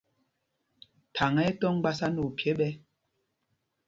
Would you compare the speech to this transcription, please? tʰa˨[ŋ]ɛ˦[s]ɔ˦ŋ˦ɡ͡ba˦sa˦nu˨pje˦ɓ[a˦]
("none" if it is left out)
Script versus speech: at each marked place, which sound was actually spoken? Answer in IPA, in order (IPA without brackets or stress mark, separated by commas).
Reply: ŋ, t, ɛ˦